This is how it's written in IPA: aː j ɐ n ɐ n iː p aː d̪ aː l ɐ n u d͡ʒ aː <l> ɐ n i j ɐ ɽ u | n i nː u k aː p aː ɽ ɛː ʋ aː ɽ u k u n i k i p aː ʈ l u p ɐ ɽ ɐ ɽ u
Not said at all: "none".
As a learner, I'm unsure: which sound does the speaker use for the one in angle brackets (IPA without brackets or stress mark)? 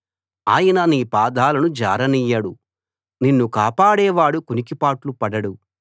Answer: ɾ